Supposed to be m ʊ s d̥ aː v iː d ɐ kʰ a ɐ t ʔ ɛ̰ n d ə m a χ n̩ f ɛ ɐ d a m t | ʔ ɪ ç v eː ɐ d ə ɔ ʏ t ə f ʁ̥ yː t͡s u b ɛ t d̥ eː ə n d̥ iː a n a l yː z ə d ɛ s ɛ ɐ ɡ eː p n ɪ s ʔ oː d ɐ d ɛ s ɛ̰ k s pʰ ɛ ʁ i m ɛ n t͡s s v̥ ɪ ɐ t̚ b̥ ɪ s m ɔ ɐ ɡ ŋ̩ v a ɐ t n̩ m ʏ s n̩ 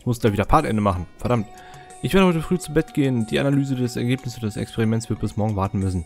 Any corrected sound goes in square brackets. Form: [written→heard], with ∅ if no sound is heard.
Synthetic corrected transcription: m ʊ s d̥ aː v iː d ɐ [kʰ→pʰ] a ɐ t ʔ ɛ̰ n d ə m a χ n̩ f ɛ ɐ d a m t | ʔ ɪ ç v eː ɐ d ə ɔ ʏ t ə f ʁ̥ yː t͡s u b ɛ t [d̥→ɡ̥] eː ə n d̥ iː a n a l yː z ə d ɛ s ɛ ɐ ɡ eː p n ɪ s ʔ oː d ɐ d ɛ s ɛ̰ k s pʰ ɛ ʁ i m ɛ n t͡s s v̥ ɪ ɐ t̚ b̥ ɪ s m ɔ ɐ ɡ ŋ̩ v a ɐ t n̩ m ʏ s n̩